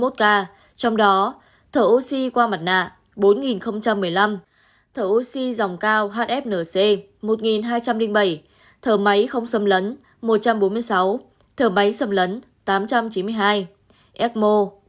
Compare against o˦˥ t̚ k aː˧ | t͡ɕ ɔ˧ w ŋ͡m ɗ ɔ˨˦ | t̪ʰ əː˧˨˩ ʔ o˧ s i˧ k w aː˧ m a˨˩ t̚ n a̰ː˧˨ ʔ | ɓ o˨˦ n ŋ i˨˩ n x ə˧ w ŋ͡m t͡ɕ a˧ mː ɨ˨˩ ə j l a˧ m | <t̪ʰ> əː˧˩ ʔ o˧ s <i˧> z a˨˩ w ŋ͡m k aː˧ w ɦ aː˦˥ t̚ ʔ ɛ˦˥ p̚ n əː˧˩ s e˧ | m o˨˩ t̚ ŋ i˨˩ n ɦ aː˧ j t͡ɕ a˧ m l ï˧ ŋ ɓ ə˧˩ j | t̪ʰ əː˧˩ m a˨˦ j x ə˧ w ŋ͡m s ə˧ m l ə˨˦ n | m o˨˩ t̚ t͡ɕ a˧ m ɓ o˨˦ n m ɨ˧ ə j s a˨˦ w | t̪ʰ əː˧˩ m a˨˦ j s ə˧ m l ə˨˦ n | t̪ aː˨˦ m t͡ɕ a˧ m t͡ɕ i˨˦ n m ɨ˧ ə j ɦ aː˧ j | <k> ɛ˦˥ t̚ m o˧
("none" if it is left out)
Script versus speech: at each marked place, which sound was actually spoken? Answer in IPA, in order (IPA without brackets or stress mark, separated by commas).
t̪ʰ, i˧, ʔ